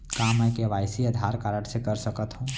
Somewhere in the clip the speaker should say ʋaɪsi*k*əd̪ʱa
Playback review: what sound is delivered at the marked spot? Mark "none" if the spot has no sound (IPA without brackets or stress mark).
none